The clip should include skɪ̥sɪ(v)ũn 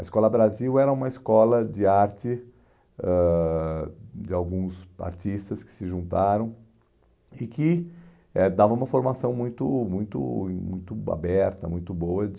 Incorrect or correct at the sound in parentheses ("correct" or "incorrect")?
incorrect